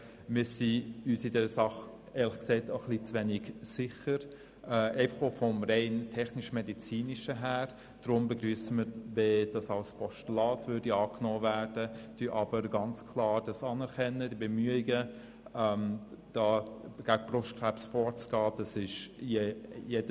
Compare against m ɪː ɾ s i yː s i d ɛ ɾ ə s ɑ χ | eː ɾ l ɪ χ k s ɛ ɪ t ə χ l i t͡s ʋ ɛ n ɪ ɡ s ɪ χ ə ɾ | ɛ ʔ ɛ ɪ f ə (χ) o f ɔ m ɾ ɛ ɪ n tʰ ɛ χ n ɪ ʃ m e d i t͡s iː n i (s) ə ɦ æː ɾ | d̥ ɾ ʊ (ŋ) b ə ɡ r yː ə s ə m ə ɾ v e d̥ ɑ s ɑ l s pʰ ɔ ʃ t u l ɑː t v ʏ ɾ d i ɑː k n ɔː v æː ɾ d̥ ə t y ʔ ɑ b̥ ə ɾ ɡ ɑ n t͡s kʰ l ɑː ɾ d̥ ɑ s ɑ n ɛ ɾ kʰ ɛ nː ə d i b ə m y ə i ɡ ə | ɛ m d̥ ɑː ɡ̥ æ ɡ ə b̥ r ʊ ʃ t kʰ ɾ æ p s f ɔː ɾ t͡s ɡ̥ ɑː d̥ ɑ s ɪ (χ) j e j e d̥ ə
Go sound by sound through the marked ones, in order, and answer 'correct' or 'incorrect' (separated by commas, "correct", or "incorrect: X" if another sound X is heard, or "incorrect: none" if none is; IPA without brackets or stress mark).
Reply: correct, incorrect: ʃ, incorrect: m, incorrect: ʃ